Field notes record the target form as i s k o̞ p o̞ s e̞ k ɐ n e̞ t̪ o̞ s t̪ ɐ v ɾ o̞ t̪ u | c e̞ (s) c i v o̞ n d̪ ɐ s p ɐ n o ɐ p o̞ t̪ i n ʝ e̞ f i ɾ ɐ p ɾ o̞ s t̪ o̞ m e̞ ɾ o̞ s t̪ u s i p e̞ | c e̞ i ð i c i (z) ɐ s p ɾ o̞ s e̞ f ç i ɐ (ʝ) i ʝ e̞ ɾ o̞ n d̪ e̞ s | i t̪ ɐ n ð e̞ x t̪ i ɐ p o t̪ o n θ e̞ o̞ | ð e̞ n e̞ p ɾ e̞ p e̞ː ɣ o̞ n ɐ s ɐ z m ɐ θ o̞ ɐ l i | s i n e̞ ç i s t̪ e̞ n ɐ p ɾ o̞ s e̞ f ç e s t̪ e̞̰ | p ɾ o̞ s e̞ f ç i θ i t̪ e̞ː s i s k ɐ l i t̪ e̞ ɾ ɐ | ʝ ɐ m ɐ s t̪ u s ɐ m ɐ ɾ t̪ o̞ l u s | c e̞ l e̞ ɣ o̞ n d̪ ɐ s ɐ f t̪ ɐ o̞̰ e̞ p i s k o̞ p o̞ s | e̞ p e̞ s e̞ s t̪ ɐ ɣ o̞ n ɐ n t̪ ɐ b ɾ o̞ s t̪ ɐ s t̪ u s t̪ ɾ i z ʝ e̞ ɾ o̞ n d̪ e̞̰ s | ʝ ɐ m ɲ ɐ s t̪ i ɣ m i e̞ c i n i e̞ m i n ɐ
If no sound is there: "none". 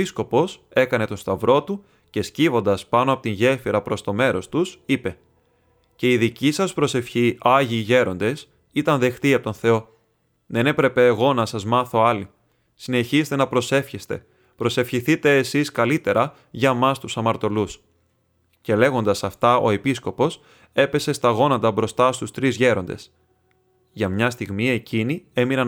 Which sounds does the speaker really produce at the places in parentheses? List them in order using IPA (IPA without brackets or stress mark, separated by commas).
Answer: s, s, ʝ